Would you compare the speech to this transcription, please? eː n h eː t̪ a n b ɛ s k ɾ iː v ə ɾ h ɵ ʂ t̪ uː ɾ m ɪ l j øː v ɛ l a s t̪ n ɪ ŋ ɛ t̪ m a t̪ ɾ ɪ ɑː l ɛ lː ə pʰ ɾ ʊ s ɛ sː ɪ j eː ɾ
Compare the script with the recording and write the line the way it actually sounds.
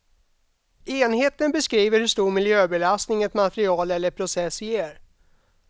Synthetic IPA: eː n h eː t̪ ə n b ɛ s k ɾ iː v ə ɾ h ɵ ʂ t̪ uː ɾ m ɪ l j øː b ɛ l a s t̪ n ɪ ŋ ɛ t̪ m a t̪ ɾ ɪ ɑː l ɛ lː ə pʰ ɾ ʊ s ɛ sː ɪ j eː ɾ